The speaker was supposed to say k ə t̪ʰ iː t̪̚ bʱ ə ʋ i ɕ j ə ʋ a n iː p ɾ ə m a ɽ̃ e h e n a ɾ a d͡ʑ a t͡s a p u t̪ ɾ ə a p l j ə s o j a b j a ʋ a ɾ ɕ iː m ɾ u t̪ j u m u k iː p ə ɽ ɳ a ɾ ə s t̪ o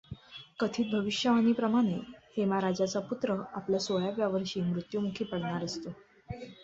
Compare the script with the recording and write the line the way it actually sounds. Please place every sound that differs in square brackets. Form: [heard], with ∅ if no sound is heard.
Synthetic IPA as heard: k ə t̪ʰ iː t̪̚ bʱ ə ʋ i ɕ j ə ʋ a n iː p ɾ ə m a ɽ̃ e h e [m] a ɾ a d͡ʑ a t͡s a p u t̪ ɾ ə a p l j [a] s o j a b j a ʋ [ə] ɾ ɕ iː m ɾ u t̪ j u m u [kʰ] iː p ə ɽ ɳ a ɾ ə s t̪ o